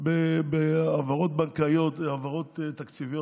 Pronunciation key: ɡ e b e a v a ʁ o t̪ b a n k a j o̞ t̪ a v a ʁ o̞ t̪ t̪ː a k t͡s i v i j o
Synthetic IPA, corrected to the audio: b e b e a v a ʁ o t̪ b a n k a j o̞ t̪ a v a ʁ o̞ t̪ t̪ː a k t͡s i v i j o